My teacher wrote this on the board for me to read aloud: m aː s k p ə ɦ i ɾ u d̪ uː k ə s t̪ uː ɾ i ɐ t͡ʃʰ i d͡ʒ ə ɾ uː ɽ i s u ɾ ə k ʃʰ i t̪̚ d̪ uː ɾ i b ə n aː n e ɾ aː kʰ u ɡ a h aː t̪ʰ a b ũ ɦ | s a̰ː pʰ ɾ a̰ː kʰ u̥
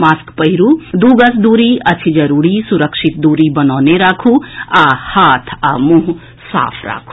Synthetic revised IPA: m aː s k p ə ɦ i ɾ u d̪ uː ɡ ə s d̪ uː ɾ i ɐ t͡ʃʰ i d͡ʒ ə ɾ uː ɽ i s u ɾ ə k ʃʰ i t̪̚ d̪ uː ɾ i b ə n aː n e ɾ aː kʰ u a h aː t̪ʰ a m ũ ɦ | s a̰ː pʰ ɾ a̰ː kʰ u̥